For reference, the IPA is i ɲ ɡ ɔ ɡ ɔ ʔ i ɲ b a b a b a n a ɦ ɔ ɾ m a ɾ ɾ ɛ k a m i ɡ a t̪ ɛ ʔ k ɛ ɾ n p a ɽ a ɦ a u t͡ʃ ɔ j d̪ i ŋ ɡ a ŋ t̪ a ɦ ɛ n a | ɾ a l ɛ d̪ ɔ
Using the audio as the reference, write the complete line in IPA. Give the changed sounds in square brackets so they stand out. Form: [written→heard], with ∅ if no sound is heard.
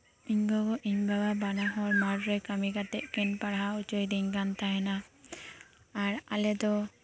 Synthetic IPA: i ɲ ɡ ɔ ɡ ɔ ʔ i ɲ b a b a b a n a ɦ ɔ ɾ m a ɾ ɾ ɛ k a m i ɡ a t̪ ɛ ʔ k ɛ [ɾ→∅] n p a ɽ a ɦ a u t͡ʃ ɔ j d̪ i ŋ ɡ a [ŋ→n] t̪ a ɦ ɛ n a | ɾ a l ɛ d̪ ɔ